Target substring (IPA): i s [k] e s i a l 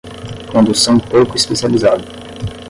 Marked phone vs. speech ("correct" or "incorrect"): incorrect